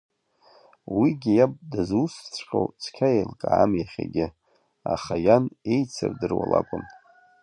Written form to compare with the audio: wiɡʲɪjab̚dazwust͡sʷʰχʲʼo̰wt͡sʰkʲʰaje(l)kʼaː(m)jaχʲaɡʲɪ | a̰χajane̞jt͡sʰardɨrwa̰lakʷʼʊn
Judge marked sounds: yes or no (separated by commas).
yes, yes